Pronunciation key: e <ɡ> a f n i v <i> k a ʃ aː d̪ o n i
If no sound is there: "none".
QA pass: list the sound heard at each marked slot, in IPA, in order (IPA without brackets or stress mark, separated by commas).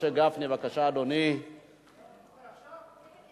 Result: ɡ, a